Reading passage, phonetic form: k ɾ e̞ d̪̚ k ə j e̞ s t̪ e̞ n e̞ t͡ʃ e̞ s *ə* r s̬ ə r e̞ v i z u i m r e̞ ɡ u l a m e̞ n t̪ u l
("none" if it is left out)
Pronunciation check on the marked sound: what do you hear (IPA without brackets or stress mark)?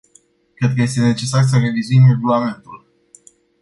a